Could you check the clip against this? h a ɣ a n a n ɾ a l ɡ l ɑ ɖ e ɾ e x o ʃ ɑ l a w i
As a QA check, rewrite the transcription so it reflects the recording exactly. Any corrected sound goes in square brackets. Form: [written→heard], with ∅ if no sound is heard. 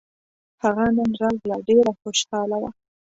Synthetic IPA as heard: h a ɣ a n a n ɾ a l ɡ l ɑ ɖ e ɾ [e→a] x o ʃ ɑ l a w [i→a]